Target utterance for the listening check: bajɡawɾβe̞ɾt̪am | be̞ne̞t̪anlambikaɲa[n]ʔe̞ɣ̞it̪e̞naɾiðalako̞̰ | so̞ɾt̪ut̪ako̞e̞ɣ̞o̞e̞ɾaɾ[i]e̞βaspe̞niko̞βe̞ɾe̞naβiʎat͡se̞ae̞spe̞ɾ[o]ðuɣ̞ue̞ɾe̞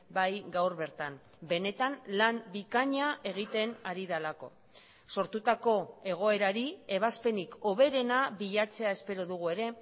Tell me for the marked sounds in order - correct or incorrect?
incorrect: none, correct, correct

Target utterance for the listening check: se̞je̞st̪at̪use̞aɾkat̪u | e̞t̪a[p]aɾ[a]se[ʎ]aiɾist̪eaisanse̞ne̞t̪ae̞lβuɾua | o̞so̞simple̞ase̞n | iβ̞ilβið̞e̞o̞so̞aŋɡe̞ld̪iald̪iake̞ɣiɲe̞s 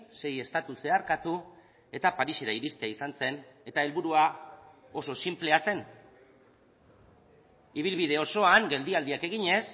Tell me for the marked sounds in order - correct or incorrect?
correct, incorrect: i, incorrect: ɾ

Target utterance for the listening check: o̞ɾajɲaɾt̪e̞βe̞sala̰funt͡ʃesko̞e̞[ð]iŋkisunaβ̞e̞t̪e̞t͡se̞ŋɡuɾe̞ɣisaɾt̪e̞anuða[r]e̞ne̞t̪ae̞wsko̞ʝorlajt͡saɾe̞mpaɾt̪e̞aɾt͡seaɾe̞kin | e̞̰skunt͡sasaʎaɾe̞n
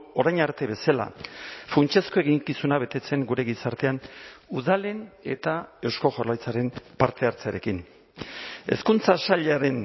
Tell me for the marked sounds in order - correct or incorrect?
incorrect: ɣ, incorrect: l

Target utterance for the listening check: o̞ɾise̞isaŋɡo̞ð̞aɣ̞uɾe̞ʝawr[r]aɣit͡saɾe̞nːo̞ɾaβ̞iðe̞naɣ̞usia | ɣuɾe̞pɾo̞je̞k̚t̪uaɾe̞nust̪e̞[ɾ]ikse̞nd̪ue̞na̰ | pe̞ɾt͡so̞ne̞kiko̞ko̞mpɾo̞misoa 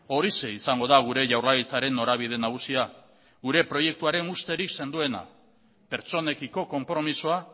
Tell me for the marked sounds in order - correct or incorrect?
incorrect: l, correct

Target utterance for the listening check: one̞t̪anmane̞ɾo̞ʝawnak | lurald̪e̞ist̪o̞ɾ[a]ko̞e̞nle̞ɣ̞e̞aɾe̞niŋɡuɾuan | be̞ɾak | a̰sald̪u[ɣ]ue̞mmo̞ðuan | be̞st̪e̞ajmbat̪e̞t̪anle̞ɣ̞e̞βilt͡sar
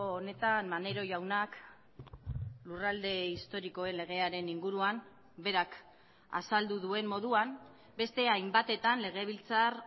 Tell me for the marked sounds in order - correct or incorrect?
incorrect: i, incorrect: ð

